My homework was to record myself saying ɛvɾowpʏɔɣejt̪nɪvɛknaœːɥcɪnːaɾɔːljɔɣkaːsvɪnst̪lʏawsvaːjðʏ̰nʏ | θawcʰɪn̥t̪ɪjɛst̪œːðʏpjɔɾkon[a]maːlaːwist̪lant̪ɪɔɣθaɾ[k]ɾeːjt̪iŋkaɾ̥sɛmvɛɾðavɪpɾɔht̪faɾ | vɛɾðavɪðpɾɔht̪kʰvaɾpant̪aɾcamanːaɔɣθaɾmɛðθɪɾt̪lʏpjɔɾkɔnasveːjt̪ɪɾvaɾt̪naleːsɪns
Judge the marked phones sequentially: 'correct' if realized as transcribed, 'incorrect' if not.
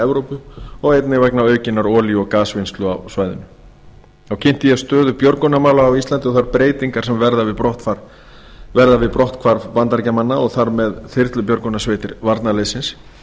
correct, incorrect: p

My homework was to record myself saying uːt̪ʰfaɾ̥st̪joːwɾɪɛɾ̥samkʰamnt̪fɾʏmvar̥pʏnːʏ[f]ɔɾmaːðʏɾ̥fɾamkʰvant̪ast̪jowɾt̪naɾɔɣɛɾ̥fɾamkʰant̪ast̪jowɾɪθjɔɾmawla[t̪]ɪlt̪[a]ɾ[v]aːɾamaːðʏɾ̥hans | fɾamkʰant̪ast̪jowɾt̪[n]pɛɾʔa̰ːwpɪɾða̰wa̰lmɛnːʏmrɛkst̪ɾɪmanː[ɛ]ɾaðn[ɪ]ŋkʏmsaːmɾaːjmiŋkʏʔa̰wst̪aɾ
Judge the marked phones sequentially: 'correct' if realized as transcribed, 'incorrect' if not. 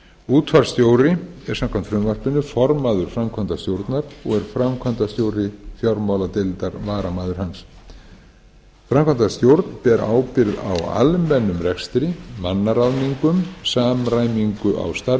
correct, correct, correct, correct, correct, incorrect: a, incorrect: i

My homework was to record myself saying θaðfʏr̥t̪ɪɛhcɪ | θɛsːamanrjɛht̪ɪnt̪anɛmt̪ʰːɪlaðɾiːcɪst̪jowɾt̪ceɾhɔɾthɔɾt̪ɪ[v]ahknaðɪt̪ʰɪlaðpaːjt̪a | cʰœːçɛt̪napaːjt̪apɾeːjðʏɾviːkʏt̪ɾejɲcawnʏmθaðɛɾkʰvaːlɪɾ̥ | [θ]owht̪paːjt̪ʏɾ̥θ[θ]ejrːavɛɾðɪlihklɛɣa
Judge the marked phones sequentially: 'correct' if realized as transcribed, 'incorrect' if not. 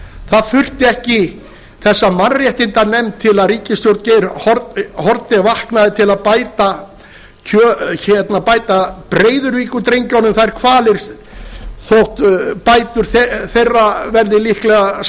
correct, correct, correct

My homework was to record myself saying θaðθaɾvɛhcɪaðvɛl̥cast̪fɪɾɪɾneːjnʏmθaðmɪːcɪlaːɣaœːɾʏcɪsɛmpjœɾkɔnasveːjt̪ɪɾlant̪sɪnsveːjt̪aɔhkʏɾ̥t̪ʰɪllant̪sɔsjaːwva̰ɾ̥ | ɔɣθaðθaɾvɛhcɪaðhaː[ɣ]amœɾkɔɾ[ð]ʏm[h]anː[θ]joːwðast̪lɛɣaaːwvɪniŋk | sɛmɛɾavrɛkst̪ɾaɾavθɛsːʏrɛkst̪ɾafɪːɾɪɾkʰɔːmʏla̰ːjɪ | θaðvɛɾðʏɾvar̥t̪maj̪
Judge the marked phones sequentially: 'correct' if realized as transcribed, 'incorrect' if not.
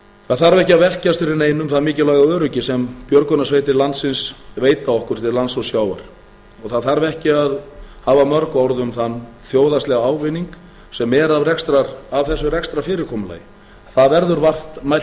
incorrect: v, correct, incorrect: θ, correct

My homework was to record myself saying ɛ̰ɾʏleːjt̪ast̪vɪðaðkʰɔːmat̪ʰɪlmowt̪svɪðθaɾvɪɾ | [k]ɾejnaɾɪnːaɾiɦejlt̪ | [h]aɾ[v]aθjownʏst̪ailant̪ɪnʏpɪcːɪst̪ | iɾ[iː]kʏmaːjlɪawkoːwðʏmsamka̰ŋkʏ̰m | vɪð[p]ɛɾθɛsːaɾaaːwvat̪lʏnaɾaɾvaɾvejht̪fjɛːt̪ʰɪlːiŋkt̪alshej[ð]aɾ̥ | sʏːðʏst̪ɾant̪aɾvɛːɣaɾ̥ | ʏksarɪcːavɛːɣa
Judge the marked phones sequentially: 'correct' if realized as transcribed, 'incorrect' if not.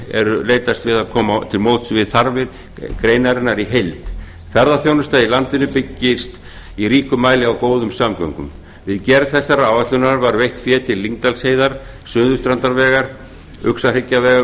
correct, incorrect: θ, incorrect: ð, correct, incorrect: c, correct

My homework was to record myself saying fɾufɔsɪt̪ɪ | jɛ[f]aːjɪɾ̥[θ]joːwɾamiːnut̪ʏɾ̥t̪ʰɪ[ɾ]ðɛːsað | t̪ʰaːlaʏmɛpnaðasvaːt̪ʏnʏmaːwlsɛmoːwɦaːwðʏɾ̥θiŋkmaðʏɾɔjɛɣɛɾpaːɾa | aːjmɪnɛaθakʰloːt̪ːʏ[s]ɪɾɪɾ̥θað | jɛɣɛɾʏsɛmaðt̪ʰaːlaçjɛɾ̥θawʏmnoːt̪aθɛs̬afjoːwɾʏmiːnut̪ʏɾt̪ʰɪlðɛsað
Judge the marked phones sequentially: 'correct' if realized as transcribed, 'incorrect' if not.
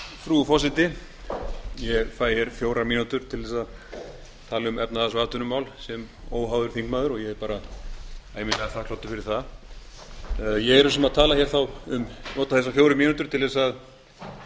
correct, incorrect: f, incorrect: l, incorrect: f

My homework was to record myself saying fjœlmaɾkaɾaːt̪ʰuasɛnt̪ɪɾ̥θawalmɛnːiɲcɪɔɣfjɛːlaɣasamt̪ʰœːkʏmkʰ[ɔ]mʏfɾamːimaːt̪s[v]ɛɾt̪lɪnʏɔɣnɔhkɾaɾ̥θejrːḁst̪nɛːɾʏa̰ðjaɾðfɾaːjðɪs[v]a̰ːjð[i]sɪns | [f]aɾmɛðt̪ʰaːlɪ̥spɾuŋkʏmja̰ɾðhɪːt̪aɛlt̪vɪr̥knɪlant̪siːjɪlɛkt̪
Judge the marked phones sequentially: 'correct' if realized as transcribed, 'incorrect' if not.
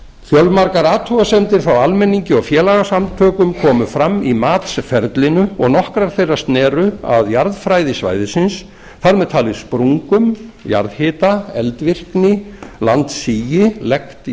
incorrect: ɔː, incorrect: f, correct, incorrect: ɪ, incorrect: θ

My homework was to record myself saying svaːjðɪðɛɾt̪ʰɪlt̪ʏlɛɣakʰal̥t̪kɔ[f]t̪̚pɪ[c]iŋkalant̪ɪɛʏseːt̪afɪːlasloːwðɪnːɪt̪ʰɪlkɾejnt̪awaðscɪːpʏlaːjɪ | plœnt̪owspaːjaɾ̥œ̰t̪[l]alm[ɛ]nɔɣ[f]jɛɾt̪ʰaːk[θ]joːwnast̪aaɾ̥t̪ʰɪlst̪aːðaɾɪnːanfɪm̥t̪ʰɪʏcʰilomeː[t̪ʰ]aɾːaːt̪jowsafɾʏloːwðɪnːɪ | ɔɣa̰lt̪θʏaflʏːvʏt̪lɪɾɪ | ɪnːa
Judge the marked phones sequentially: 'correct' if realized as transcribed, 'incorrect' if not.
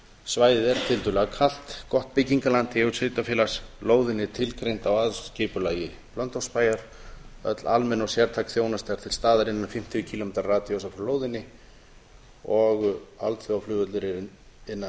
incorrect: h, correct, correct, correct, incorrect: s, correct, incorrect: t̪

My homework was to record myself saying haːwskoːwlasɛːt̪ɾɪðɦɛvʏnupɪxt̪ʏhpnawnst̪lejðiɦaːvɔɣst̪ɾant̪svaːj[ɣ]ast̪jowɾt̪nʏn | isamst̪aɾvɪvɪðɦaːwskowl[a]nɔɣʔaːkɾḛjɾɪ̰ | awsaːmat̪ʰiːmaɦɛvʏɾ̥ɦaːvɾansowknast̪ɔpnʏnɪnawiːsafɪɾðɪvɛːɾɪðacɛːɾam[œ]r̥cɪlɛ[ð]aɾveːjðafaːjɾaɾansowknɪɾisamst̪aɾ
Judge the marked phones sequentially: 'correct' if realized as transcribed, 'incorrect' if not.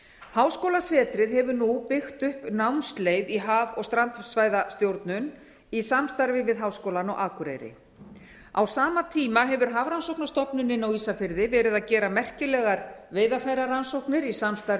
incorrect: ð, correct, incorrect: ɛ, incorrect: ɣ

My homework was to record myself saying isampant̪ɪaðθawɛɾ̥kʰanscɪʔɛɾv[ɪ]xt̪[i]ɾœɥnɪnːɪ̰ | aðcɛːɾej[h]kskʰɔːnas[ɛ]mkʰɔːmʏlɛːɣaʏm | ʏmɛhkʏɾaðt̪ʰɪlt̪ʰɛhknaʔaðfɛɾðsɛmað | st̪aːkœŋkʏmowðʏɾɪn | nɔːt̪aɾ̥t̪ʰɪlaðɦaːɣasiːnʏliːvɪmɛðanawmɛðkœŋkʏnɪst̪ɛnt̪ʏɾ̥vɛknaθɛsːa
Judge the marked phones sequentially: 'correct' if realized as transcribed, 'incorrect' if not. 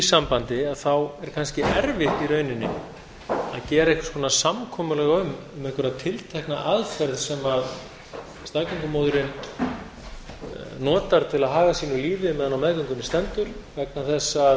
correct, correct, correct, incorrect: a

